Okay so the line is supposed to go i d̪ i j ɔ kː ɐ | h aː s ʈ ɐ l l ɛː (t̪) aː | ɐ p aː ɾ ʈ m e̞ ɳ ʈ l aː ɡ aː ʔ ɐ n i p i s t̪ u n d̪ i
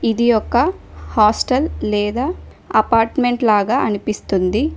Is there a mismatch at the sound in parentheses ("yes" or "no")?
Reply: yes